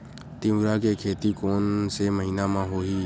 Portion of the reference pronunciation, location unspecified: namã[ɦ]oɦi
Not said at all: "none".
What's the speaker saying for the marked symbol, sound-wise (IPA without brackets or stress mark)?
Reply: ɦ